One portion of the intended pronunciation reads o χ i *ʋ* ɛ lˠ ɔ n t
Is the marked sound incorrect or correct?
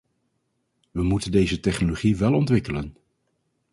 correct